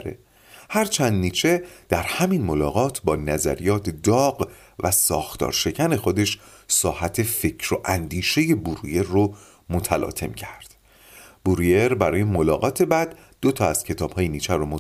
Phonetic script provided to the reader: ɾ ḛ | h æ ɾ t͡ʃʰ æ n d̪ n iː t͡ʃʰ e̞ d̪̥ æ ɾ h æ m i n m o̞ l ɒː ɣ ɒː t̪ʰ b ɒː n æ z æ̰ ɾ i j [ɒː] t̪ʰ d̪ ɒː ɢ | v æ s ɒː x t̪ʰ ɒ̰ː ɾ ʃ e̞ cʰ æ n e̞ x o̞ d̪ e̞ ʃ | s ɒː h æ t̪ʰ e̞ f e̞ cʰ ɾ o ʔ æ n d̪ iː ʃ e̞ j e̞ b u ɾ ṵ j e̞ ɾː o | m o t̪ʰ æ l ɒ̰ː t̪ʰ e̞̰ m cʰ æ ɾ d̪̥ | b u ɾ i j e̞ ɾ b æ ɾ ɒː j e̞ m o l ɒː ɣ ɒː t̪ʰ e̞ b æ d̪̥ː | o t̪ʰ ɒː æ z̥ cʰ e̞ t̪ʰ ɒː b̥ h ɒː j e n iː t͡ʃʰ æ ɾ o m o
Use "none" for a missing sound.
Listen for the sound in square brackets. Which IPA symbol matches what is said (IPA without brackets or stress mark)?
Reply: ɒː